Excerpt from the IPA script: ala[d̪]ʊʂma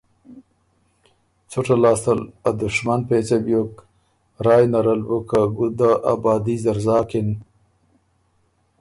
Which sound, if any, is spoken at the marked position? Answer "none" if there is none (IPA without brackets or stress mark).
d̪